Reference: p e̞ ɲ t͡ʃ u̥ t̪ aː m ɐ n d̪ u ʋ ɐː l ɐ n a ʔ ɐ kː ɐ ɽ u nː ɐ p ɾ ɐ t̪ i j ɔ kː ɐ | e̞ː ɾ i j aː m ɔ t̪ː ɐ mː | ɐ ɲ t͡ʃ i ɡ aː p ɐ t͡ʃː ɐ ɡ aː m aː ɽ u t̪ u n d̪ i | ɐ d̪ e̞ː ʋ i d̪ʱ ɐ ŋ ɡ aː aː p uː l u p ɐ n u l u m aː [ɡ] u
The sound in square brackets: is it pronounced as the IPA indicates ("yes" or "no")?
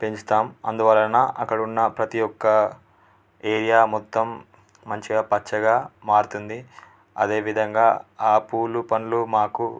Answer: no